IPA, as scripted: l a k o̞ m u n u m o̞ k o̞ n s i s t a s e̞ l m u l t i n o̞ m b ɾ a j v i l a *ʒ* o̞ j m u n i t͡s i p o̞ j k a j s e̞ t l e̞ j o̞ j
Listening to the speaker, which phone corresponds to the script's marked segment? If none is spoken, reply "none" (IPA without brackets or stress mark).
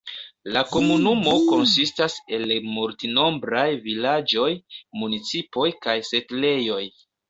d͡ʒ